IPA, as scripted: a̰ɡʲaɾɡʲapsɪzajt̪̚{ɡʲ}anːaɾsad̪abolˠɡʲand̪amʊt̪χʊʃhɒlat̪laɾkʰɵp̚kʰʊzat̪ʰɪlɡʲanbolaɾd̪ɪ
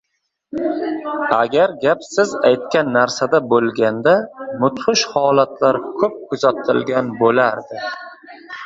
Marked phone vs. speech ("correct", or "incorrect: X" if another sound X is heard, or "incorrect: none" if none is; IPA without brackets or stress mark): incorrect: kʲ